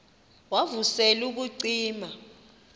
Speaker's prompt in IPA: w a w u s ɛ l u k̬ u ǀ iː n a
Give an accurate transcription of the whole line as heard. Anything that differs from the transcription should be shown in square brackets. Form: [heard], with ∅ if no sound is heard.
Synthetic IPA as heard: w a [v] u s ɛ l u k̬ u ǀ iː [m] a